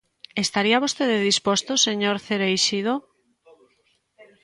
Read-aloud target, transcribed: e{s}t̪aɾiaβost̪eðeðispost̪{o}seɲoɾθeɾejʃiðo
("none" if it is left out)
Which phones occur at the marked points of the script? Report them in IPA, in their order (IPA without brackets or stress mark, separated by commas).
s, o